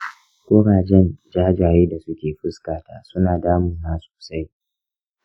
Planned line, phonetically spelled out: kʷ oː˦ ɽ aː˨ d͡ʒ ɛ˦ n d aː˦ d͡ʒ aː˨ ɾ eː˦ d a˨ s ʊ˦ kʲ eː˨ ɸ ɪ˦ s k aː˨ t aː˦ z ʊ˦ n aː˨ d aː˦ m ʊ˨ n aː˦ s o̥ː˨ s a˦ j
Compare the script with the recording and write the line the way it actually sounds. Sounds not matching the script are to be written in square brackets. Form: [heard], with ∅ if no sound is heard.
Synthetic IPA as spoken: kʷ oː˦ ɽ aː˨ d͡ʒ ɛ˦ n [d͡ʒ] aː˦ d͡ʒ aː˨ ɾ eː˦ d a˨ s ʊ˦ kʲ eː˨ ɸ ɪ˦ s k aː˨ t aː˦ [s] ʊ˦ n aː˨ d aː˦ m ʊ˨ n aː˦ s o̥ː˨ s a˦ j

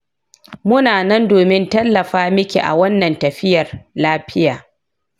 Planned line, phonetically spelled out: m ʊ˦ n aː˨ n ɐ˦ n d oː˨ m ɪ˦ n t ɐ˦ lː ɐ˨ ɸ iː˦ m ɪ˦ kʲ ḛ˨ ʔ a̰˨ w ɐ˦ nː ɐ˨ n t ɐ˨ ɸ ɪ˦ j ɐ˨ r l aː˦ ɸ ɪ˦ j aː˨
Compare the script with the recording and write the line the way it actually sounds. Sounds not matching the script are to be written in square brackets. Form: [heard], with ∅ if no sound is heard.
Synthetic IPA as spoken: m ʊ˦ n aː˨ n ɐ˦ n d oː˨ m ɪ˦ n t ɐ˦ lː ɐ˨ ɸ [aː˦] m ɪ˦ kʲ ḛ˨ ʔ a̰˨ w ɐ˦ nː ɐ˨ n t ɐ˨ ɸ ɪ˦ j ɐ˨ r l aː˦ ɸ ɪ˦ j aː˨

